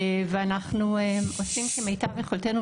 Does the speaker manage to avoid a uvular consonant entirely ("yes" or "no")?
no